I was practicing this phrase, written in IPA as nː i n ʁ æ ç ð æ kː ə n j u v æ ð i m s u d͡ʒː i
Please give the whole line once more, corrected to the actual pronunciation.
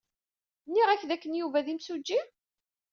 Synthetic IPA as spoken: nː i ʁ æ ç ð æ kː ə n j u v æ ð i m s u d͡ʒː i

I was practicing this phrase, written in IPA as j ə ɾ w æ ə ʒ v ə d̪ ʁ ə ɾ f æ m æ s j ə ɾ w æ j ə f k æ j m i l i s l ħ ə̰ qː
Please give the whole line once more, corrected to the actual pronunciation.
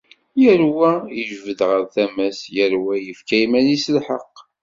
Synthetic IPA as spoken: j ə ɾ w æ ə ʒ v ə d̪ ʁ ə ɾ θ æ m æ s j ə ɾ w æ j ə f k æ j m æ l i s l ħ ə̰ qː

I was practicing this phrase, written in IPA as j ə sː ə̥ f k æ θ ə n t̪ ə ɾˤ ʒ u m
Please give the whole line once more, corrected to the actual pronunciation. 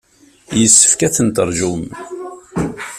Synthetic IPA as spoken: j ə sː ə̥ f k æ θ ə n t̪ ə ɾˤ ʒ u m

